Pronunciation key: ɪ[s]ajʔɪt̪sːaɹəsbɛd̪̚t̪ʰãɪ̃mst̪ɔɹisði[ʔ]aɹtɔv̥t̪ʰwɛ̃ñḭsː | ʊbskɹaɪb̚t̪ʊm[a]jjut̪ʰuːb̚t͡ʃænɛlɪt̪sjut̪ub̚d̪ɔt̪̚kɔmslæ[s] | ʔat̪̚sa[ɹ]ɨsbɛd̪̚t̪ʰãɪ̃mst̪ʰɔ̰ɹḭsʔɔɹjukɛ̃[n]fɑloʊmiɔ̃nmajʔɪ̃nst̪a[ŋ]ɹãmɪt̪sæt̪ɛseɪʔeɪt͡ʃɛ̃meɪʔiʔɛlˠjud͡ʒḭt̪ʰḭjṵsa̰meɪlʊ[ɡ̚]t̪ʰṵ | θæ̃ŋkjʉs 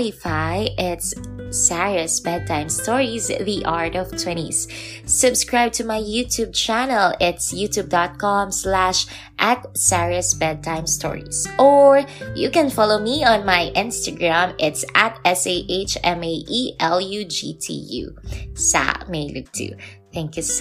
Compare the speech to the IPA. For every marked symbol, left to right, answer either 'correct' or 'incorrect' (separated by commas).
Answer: incorrect, correct, correct, incorrect, correct, correct, incorrect, incorrect